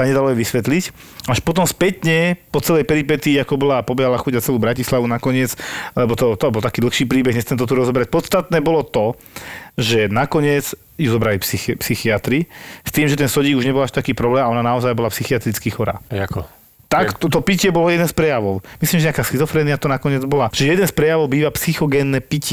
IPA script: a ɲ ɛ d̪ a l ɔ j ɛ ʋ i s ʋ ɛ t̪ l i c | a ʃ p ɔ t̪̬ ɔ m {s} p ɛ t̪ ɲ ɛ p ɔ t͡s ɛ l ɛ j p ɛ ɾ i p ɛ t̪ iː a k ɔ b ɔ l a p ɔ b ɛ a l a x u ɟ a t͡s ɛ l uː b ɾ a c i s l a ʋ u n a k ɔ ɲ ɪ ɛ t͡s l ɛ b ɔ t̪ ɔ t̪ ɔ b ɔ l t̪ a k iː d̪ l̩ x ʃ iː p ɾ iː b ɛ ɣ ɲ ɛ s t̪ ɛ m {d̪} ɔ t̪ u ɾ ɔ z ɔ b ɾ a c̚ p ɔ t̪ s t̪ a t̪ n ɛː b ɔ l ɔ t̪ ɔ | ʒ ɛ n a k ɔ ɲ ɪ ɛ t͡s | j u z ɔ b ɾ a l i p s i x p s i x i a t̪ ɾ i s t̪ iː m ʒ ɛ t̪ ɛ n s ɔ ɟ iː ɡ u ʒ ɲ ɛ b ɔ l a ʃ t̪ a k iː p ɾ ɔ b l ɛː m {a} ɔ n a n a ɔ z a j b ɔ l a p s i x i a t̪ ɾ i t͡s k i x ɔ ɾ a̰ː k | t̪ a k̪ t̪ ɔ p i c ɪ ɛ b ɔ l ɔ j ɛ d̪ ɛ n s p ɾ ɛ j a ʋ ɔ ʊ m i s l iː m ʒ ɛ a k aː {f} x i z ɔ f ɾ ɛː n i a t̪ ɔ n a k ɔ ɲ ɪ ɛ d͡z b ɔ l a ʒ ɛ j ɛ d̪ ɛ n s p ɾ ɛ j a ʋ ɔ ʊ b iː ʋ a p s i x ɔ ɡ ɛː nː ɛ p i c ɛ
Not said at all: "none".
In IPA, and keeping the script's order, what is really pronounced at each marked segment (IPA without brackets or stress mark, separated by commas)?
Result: s, t̪, a, s